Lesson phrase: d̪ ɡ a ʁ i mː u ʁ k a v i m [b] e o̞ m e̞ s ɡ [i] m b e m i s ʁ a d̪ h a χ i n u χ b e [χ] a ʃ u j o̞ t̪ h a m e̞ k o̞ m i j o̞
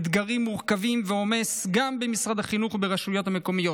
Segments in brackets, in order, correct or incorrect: incorrect: v, incorrect: a, incorrect: ʁ

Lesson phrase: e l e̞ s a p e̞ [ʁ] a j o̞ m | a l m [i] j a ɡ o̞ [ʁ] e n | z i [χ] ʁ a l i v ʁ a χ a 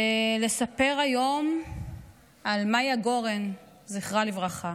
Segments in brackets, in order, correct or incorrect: correct, incorrect: a, correct, correct

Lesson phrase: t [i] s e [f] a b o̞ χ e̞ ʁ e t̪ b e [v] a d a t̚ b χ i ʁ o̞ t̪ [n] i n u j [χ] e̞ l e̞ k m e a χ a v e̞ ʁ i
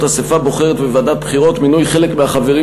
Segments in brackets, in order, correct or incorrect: incorrect: a, correct, correct, incorrect: m, correct

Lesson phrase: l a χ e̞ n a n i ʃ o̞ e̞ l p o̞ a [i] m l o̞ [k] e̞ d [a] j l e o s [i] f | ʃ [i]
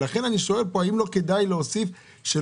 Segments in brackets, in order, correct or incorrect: correct, correct, correct, correct, incorrect: e

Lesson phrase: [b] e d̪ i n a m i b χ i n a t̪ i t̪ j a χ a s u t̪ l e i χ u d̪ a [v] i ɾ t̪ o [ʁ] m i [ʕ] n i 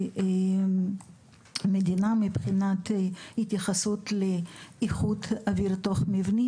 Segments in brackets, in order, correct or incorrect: incorrect: m, correct, incorrect: χ, incorrect: v

